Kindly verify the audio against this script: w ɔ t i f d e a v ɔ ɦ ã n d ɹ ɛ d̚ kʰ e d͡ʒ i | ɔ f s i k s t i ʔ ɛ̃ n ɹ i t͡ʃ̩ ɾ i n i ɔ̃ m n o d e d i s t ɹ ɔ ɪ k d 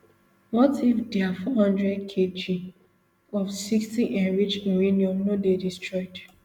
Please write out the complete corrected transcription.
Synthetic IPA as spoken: w ɔ t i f d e a f ɔ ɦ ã n d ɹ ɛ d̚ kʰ e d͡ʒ i | ɔ f s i k s t i ʔ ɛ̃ n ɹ i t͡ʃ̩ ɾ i n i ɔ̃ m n o d e d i s t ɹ ɔ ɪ d